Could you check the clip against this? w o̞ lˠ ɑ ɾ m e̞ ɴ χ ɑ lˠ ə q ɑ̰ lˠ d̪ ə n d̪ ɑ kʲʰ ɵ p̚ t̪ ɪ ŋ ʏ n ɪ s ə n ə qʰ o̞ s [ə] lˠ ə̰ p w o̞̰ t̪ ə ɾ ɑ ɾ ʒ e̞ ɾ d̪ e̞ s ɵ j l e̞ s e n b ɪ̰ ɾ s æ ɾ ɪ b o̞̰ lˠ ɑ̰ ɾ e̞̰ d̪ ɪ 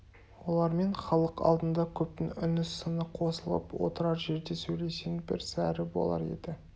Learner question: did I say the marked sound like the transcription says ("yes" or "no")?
yes